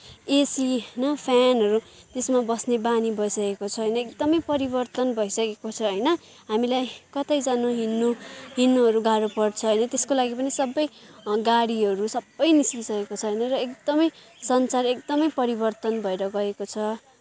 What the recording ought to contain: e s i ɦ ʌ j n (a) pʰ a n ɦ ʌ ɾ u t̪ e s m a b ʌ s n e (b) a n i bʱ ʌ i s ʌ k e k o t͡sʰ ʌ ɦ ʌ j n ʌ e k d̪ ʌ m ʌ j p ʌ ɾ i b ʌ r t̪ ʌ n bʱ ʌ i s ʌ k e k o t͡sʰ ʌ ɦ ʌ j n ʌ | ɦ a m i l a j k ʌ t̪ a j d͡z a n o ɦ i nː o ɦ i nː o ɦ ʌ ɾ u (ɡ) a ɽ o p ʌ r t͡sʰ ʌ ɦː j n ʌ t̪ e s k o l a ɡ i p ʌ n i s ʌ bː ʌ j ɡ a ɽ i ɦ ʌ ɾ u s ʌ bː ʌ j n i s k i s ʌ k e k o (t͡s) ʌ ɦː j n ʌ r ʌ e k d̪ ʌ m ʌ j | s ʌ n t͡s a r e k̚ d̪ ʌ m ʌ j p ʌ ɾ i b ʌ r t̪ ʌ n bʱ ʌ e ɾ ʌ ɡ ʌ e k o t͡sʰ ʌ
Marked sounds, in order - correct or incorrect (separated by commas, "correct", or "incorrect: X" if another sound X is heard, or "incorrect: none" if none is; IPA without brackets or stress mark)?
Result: incorrect: ʌ, correct, correct, incorrect: t͡sʰ